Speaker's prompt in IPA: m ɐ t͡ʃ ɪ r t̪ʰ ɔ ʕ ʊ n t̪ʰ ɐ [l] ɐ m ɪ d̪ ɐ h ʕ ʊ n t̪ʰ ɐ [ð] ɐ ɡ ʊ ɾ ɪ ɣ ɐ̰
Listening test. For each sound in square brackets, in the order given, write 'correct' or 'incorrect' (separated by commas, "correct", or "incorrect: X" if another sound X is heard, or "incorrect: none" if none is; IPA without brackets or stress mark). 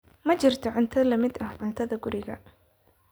correct, correct